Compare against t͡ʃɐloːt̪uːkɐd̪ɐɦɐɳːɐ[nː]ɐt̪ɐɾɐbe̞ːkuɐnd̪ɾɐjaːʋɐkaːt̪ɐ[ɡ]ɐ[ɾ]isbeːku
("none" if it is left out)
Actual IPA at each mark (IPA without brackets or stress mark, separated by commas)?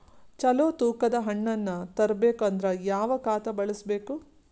nː, b, ɭ